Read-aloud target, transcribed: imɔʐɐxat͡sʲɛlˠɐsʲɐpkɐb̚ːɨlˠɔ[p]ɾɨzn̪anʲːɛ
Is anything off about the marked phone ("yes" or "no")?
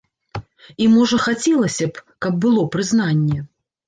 no